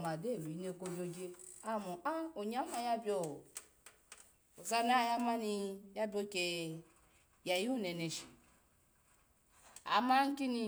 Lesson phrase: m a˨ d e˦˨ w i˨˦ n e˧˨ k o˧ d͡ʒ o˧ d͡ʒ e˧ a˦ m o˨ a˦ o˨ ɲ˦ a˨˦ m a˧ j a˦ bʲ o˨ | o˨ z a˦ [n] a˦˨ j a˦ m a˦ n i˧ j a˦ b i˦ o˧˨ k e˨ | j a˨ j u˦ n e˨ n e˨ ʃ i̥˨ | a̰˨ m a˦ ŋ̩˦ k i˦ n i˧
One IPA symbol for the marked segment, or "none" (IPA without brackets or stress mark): n